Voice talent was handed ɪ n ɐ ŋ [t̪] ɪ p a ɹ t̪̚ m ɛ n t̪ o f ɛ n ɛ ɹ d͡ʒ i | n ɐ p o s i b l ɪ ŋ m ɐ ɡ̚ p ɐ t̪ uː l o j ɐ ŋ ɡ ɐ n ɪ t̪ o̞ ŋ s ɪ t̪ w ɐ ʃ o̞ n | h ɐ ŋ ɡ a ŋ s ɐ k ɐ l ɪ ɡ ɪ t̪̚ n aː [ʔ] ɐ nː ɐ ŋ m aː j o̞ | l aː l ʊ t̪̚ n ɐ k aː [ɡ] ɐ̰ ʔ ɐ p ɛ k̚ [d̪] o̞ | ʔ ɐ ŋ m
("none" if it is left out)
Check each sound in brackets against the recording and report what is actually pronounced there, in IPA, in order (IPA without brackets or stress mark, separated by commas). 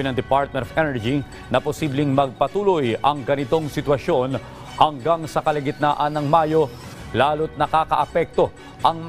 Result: d̪, ʔ, k, t̪